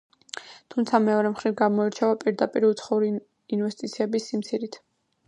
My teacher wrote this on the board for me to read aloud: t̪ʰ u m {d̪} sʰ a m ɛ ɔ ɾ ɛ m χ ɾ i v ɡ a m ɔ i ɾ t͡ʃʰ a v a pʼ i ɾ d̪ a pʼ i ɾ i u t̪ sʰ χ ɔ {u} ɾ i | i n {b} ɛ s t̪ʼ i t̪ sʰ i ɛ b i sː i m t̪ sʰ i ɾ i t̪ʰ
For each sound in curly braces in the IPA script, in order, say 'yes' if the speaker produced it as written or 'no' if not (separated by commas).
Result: no, yes, no